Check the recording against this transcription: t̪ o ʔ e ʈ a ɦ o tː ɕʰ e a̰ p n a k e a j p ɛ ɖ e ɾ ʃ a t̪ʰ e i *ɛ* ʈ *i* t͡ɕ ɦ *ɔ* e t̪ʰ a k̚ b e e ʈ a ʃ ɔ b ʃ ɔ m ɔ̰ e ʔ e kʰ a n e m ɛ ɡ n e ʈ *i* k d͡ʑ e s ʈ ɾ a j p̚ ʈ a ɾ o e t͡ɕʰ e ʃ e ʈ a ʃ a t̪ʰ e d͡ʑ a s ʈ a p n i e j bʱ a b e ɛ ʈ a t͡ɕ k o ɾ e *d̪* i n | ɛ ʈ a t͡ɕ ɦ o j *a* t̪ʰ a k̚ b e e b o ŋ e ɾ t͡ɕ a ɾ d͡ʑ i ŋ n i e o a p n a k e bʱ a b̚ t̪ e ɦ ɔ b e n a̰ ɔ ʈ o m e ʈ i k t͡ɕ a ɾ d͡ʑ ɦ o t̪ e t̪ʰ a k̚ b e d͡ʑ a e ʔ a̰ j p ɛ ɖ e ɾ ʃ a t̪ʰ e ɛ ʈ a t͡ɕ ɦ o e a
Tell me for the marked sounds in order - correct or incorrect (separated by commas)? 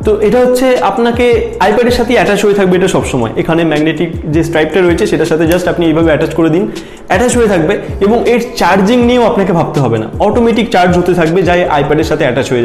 correct, incorrect, incorrect, correct, correct, incorrect